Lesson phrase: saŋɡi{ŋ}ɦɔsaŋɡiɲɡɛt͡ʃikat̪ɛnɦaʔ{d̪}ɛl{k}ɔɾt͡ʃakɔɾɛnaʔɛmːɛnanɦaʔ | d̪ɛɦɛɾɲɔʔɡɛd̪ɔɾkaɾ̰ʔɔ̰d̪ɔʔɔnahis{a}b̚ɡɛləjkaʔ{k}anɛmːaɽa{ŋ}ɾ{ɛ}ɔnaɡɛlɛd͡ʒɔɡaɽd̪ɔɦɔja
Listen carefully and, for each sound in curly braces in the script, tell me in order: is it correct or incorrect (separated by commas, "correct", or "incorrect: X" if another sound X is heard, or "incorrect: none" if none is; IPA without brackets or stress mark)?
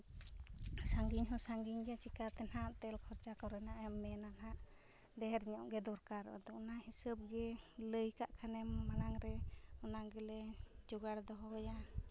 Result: incorrect: ɲ, incorrect: t̪, incorrect: kʰ, incorrect: ə, incorrect: kʰ, correct, correct